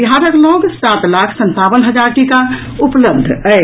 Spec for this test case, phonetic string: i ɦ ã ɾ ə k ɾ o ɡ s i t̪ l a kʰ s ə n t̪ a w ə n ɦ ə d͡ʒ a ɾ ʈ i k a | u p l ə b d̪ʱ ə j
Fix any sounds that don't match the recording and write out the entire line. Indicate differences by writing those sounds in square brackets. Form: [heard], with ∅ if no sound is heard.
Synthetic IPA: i ɦ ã ɾ ə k [l] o ɡ s [a] t̪ l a kʰ s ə n t̪ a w ə n ɦ ə d͡ʒ a ɾ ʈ i k a | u p l ə b d̪ʱ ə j